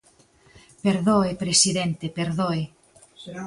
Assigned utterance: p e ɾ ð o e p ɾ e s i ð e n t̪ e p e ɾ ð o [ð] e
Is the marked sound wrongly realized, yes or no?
yes